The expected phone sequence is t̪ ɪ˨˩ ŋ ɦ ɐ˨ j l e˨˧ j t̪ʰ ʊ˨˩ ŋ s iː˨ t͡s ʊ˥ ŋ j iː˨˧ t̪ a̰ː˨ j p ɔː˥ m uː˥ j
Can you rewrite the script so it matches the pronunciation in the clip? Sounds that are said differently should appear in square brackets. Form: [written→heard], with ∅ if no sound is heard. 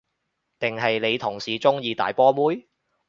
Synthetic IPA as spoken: t̪ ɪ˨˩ ŋ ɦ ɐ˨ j l e˨˧ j t̪ʰ ʊ˨˩ ŋ s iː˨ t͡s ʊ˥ ŋ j iː˨˧ t̪ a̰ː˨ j p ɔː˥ m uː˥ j